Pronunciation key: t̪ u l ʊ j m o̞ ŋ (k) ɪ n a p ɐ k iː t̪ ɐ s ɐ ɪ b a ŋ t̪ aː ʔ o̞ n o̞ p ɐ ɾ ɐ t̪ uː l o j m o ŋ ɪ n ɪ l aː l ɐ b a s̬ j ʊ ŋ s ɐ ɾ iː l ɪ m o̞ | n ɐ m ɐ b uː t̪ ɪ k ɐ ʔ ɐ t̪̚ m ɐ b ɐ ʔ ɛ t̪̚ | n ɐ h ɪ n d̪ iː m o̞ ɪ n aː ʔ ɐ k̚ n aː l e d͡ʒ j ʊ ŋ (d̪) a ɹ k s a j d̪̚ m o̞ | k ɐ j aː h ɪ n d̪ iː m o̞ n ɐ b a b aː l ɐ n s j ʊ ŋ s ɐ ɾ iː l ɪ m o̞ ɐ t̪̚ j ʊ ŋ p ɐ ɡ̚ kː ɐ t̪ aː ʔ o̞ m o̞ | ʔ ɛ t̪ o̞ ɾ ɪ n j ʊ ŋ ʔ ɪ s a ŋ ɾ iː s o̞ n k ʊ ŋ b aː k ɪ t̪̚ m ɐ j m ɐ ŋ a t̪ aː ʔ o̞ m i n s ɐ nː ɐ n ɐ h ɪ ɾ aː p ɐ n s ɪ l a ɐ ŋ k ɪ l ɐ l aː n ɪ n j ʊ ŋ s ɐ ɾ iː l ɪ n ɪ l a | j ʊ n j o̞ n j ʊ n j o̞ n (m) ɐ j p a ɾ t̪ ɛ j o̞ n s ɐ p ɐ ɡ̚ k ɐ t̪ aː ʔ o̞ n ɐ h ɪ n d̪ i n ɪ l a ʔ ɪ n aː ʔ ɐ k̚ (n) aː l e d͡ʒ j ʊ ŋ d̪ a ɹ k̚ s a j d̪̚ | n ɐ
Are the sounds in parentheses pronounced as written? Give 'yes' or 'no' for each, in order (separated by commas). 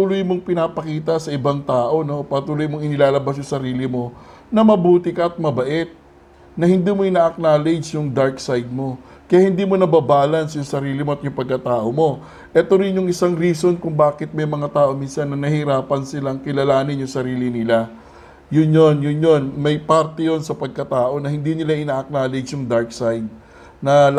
no, yes, yes, yes